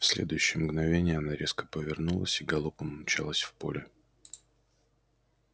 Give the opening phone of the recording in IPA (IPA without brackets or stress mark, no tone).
f